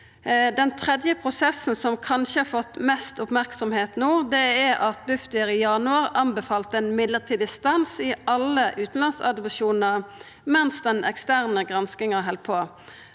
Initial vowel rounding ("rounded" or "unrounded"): unrounded